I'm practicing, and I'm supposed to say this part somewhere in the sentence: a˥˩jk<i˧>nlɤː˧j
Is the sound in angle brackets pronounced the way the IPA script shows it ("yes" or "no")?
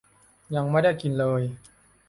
yes